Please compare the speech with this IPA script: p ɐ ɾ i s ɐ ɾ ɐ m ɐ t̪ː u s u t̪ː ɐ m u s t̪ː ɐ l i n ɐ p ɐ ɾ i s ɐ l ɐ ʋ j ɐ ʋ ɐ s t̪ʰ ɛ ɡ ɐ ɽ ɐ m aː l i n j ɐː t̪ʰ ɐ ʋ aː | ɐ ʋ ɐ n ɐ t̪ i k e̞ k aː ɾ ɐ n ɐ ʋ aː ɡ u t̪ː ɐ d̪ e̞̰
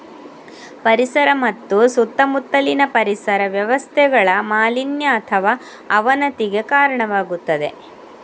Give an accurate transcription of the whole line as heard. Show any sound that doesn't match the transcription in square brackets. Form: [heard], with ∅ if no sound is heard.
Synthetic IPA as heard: p ɐ ɾ i s ɐ ɾ ɐ m ɐ t̪ː u s u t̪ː ɐ m u [∅] t̪ː ɐ l i n ɐ p ɐ ɾ i s ɐ [ɾ] ɐ ʋ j ɐ ʋ ɐ s t̪ʰ ɛ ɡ ɐ [ɭ] ɐ m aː l i n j ɐː t̪ʰ ɐ ʋ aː | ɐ ʋ ɐ n ɐ t̪ i [ɡ] e̞ k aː ɾ ɐ [ɳ] ɐ ʋ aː ɡ u t̪ː ɐ d̪ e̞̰